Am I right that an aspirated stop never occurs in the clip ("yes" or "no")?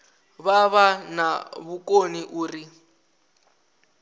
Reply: yes